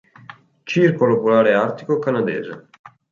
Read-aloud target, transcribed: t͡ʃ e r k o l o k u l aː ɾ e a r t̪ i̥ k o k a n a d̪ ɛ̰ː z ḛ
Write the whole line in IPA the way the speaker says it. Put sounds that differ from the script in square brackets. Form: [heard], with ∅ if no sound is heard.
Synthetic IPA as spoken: t͡ʃ [i] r k o l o [p] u l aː ɾ e a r t̪ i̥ k o k a n a d̪ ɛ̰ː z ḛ